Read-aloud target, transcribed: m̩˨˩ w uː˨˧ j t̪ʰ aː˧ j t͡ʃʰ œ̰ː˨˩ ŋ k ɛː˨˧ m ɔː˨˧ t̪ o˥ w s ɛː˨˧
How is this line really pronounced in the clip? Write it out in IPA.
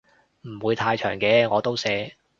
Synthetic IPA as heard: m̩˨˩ w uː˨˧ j t̪ʰ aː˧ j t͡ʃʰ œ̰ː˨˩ ŋ k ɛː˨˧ ŋ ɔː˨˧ t̪ o˥ w s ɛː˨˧